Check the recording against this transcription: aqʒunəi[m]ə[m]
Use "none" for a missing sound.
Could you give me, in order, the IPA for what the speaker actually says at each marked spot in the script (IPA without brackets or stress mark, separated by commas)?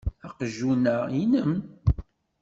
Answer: n, m